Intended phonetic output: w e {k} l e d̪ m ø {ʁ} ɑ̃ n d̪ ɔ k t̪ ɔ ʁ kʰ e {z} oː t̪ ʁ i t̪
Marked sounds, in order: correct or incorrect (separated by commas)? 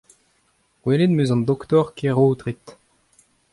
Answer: incorrect, incorrect, incorrect